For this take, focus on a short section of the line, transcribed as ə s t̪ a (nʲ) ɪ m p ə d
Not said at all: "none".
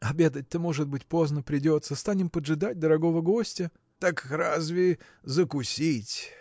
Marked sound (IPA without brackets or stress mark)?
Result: nʲ